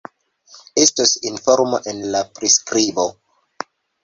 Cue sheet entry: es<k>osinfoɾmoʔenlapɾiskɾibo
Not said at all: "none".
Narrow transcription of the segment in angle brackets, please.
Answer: t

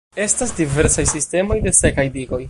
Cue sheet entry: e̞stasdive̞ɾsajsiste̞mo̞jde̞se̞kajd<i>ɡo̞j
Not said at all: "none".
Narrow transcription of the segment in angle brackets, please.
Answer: i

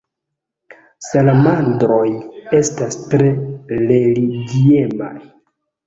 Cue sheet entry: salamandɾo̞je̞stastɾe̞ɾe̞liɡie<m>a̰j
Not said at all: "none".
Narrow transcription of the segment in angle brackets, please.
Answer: m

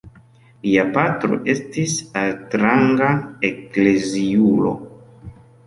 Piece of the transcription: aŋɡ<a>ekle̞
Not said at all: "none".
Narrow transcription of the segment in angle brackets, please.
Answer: a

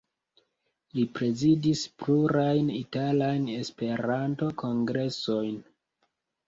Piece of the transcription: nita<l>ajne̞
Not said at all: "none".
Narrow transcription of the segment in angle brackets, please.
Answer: l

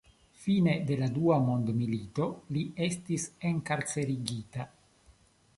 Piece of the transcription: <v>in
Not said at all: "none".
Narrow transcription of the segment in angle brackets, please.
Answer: f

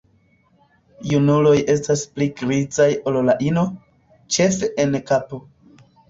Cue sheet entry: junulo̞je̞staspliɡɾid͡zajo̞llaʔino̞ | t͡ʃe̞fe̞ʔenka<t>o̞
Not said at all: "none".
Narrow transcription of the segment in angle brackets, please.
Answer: p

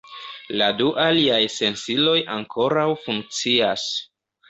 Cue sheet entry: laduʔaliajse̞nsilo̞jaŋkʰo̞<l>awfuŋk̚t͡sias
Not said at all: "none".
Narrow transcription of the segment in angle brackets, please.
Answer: ɾ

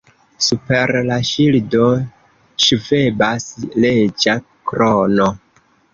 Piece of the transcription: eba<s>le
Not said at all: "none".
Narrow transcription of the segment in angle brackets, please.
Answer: s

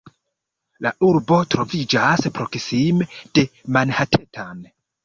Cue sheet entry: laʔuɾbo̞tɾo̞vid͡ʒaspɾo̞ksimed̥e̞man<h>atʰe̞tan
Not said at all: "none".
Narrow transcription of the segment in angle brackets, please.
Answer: h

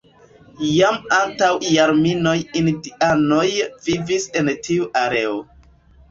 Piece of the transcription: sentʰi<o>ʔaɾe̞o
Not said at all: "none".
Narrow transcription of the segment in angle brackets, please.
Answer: u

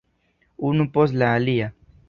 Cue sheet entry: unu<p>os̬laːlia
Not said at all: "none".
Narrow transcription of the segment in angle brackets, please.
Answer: p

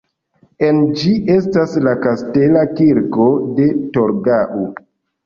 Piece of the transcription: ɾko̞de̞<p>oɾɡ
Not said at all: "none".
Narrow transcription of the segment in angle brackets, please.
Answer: t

